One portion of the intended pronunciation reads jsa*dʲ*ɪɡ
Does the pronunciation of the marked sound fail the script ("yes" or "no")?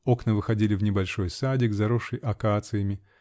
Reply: no